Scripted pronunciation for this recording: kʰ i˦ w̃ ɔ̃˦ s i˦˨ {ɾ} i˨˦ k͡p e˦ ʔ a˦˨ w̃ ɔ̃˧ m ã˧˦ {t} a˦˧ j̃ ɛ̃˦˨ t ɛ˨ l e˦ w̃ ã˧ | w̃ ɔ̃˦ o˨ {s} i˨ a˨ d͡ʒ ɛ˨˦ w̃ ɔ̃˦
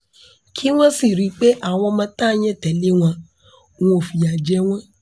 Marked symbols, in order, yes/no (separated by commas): yes, yes, no